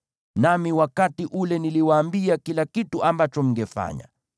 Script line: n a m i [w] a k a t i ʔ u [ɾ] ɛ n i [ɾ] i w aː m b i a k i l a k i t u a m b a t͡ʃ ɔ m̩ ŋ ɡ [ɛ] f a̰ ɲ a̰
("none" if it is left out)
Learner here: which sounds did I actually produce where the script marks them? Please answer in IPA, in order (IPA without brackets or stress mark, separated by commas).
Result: w, l, l, ɛ